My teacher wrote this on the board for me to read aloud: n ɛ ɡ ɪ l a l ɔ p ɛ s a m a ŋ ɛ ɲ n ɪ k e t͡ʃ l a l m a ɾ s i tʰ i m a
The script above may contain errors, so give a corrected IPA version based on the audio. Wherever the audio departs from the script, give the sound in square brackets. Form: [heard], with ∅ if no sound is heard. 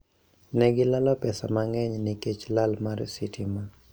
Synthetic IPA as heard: n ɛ ɡ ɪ l a l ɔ p ɛ s a m a ŋ ɛ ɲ n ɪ k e t͡ʃ l a l m a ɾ s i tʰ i m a